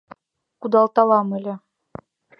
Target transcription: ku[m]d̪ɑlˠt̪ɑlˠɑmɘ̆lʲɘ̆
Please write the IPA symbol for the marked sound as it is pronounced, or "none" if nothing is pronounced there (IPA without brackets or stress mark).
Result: none